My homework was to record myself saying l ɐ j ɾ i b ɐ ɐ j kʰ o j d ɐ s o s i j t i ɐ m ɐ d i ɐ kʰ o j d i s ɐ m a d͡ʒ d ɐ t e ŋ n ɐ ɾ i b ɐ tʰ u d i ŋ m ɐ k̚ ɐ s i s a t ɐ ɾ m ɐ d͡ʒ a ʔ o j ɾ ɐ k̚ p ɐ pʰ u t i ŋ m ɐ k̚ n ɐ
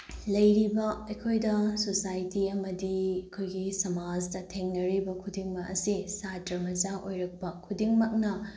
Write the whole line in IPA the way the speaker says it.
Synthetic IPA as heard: l ɐ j ɾ i b ɐ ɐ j kʰ o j d ɐ s o s a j t i ɐ m ɐ d i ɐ kʰ o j ɡ i s ɐ m a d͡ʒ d ɐ tʰ e ŋ n ɐ ɾ i b ɐ kʰ u d i ŋ m ɐ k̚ ɐ s i s a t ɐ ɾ m ɐ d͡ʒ a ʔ o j ɾ ɐ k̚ p ɐ kʰ u d i ŋ m ɐ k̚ n ɐ